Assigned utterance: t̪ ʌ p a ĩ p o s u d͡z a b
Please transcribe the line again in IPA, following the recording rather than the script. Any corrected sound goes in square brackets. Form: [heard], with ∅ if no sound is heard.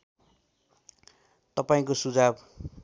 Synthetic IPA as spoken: t̪ ʌ p a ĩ [k] o s u d͡z a b